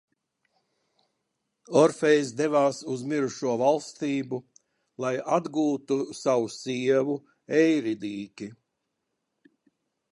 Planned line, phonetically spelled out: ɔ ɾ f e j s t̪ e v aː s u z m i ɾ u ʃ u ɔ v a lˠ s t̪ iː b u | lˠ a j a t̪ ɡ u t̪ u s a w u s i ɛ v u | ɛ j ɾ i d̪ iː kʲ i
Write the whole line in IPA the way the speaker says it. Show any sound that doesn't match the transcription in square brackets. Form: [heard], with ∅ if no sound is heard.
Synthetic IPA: ɔ ɾ f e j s [d̪] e v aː s u z m i ɾ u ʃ u ɔ v a lˠ s t̪ iː b u | lˠ a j a [d̪] ɡ [uː] t̪ u s a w u s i ɛ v u | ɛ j ɾ i d̪ iː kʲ i